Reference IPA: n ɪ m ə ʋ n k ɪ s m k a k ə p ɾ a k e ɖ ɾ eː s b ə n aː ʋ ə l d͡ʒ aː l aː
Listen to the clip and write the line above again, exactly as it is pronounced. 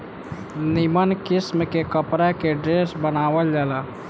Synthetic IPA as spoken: n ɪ m ə n k ɪ s m k e k ə p ɾ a k e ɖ ɾ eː s b ə n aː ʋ ə l d͡ʒ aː l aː